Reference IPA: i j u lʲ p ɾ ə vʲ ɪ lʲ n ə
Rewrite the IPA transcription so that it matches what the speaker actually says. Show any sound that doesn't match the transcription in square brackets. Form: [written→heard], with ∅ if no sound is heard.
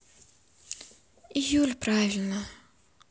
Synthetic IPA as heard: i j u lʲ p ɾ [ə→a] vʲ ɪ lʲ n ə